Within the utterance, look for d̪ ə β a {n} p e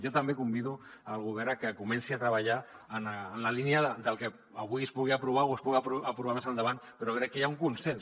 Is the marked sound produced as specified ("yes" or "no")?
yes